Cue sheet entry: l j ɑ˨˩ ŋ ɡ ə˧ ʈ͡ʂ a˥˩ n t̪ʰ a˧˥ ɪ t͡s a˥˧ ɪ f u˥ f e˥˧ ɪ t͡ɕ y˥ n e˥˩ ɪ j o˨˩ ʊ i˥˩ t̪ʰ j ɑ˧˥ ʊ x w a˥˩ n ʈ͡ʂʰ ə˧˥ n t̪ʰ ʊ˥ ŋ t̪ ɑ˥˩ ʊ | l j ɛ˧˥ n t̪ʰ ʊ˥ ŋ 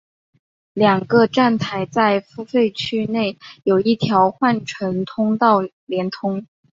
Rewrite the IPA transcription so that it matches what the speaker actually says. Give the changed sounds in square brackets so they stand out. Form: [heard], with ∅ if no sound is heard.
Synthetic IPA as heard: l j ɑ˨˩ ŋ ɡ ə˧ ʈ͡ʂ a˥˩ n t̪ʰ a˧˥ ɪ t͡s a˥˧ ɪ f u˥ f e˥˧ ɪ [t͡ɕʰ] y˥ n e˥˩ ɪ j o˨˩ ʊ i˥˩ t̪ʰ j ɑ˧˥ ʊ x w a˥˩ n ʈ͡ʂʰ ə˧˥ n t̪ʰ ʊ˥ ŋ t̪ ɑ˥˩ ʊ | l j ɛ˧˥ n t̪ʰ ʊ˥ ŋ